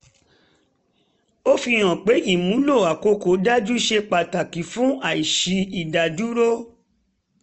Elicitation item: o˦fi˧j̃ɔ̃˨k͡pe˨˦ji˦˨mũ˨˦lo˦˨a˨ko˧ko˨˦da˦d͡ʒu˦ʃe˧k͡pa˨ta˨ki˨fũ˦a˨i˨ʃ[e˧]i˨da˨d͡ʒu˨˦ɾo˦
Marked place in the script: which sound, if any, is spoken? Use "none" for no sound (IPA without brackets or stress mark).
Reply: i˧